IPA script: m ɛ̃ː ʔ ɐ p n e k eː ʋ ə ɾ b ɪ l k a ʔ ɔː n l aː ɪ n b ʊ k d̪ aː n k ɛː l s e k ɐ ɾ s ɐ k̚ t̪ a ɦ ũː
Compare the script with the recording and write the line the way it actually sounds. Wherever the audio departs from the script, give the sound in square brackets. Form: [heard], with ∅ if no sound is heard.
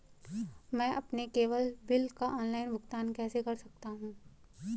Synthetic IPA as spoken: m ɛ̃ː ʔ ɐ p n e k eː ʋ ə [l] b ɪ l k a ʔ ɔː n l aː ɪ n b ʊ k [t̪] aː n k ɛː [∅] s e k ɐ ɾ s ɐ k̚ t̪ a ɦ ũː